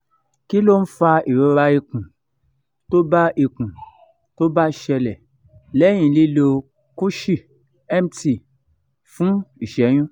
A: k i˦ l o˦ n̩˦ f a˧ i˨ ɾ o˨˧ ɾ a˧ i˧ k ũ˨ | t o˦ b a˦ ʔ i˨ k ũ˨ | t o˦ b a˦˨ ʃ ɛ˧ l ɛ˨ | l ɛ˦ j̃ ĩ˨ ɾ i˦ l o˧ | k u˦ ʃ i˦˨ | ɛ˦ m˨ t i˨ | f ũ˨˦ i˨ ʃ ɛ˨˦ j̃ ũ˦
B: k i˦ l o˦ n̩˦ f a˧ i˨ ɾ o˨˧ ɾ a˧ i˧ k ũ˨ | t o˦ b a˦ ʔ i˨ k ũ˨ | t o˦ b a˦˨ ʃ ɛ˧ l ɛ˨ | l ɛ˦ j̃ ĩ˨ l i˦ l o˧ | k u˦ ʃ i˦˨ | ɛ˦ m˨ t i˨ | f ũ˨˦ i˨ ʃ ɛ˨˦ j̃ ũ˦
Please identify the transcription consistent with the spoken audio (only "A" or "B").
B